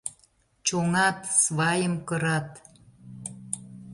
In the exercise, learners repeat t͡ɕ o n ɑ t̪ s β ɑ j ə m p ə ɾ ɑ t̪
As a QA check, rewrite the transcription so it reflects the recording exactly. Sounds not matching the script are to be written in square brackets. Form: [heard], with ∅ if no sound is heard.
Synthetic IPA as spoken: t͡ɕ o [ŋ] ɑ t̪ s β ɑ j ə m [k] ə ɾ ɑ t̪